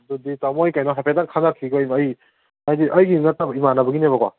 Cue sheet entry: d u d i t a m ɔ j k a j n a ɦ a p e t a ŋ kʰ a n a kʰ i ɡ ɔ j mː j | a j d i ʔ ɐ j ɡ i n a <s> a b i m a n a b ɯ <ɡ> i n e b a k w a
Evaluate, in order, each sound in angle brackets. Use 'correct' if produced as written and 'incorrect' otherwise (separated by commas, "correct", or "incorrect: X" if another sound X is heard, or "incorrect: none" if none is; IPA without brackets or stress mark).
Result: incorrect: t, correct